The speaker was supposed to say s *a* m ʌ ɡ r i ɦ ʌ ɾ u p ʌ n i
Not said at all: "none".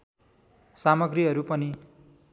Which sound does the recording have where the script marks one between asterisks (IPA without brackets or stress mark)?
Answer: a